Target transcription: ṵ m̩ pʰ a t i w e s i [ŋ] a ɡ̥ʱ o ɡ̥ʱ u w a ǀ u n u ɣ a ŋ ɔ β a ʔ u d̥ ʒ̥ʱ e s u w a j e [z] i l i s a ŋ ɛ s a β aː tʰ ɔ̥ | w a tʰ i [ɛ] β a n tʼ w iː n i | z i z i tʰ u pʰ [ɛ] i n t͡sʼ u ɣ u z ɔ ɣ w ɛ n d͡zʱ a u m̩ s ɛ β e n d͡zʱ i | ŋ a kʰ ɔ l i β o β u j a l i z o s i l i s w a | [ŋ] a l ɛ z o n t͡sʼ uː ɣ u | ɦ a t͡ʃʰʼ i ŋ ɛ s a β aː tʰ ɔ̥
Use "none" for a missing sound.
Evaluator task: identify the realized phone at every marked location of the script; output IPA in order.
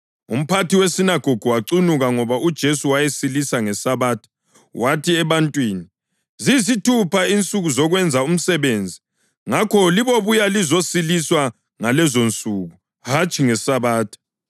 n, s, ɛ, a, ŋ

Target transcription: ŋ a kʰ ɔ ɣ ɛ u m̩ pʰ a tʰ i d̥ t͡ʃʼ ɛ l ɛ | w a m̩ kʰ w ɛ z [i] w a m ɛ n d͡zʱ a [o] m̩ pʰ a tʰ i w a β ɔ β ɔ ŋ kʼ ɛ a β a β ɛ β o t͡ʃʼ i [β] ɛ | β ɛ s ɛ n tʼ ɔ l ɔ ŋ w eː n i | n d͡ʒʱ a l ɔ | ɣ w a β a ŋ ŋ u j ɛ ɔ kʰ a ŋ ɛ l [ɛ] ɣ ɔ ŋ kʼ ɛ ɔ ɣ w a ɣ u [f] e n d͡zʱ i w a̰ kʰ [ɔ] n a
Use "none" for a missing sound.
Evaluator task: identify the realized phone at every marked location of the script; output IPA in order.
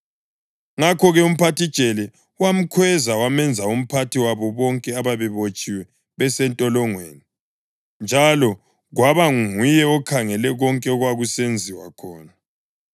a, u, w, ɛ, s, ɔː

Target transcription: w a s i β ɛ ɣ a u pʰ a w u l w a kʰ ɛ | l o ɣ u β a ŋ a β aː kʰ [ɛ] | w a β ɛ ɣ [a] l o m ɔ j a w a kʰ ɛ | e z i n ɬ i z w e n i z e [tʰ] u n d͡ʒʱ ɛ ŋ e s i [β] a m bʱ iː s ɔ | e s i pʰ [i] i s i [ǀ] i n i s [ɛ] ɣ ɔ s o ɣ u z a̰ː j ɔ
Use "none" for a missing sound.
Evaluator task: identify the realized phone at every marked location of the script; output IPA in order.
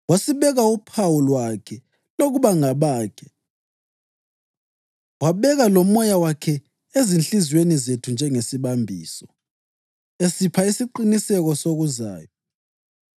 ɛ, a, tʰ, β, a, ǃ, ɛ

